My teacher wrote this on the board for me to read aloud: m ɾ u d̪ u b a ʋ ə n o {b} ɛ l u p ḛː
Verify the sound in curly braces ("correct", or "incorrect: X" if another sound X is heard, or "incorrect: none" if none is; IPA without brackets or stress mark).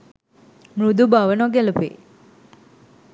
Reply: incorrect: ɡ